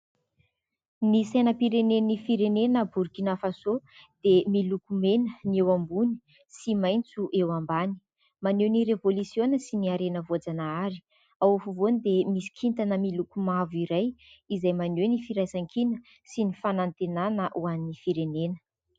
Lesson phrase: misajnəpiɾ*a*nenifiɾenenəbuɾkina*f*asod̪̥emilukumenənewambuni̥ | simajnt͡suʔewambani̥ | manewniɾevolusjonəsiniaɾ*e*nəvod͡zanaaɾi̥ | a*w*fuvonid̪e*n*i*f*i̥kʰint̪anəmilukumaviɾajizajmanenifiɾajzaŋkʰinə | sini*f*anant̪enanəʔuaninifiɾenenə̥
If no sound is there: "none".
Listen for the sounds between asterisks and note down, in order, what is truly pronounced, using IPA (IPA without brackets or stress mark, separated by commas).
e, f, e, w, m, s, f